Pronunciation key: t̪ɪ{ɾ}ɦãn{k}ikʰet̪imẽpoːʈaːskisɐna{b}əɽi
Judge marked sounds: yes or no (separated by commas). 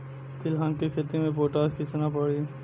no, yes, no